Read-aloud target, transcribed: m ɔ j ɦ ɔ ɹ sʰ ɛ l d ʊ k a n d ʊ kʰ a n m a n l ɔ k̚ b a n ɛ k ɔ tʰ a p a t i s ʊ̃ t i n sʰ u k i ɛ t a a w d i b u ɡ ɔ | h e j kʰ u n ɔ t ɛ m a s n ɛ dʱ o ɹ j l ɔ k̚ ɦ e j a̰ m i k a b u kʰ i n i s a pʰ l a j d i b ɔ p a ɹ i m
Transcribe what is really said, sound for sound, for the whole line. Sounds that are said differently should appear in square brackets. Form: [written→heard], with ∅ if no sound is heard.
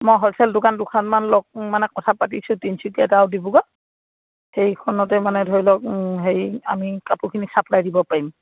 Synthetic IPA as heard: m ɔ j ɦ ɔ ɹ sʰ ɛ l d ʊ k a n d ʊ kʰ a n m a n l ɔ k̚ [b→m] a n ɛ k ɔ tʰ a p a t i s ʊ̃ t i n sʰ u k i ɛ t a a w d i b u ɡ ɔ | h e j kʰ [u→ɔ] n ɔ t ɛ m a [s→∅] n ɛ dʱ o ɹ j l ɔ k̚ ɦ e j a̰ m i k a [b→p] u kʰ i n i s a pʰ l a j d i b ɔ p a ɹ i m